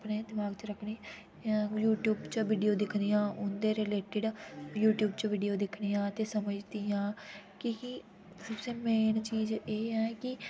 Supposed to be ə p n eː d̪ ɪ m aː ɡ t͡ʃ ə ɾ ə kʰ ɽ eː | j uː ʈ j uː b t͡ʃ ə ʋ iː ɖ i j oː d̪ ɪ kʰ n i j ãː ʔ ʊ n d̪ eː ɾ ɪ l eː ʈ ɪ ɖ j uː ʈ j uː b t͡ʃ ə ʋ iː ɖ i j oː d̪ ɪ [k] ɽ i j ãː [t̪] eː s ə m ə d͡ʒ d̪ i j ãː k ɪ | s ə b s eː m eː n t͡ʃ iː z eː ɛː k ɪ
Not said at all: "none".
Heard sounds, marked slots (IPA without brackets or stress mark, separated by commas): kʰ, t̪